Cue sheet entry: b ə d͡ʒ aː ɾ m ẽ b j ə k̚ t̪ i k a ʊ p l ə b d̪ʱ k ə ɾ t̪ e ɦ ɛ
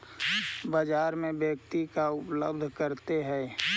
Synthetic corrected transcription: b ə d͡ʒ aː ɾ m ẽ b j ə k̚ t̪ i k a ʊ p l ə b d̪ʱ k ə ɾ t̪ e ɦ ɛ